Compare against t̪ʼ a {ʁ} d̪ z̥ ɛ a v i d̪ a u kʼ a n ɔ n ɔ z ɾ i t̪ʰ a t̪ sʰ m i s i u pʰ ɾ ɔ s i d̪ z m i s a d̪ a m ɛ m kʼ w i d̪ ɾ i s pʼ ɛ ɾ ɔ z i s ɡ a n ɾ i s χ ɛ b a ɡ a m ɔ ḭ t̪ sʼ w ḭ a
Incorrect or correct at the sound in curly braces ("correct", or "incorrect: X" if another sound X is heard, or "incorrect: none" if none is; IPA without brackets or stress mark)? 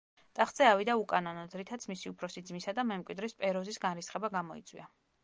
incorrect: χ